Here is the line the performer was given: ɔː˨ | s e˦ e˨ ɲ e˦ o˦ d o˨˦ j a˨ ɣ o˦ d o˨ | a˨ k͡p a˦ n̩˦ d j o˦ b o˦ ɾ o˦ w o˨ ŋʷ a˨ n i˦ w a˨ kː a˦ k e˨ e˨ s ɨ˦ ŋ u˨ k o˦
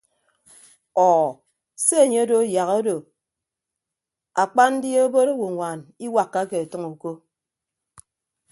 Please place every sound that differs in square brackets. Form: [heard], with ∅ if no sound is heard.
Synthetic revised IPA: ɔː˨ | s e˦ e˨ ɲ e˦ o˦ d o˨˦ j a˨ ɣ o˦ d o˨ | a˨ k͡p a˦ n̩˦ d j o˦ b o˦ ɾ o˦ w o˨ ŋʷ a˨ n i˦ w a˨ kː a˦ k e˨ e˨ [t] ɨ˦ ŋ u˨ k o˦